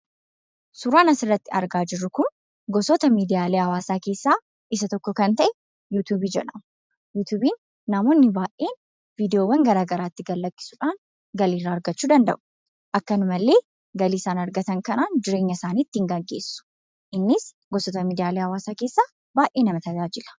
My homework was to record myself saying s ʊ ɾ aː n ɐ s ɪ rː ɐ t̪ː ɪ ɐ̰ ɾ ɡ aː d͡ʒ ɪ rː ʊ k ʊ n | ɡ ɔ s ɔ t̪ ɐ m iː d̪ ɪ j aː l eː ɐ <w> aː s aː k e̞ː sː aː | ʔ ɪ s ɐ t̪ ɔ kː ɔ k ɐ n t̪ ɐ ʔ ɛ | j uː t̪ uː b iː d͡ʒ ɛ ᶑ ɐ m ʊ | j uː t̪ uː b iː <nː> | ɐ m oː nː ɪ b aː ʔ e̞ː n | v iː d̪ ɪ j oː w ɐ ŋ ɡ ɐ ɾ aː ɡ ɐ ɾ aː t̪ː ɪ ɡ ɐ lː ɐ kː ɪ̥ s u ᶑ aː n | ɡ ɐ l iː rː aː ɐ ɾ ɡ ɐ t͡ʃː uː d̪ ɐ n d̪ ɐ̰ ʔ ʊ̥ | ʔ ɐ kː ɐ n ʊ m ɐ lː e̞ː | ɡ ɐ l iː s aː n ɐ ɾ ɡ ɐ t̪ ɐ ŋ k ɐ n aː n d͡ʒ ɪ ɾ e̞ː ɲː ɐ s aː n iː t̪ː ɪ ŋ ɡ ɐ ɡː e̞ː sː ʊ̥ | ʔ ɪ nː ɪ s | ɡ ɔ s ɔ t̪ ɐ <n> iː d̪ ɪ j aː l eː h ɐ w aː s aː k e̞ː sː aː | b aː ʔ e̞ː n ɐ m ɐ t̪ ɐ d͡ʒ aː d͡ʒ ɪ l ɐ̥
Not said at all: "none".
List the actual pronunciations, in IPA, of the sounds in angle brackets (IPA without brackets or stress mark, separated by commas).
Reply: w, nː, m